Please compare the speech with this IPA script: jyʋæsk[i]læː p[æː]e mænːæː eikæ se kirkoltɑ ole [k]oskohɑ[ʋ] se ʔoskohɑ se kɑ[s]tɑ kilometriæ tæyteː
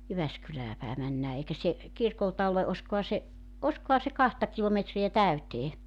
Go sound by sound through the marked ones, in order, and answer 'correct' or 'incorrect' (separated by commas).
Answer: incorrect, incorrect, incorrect, incorrect, incorrect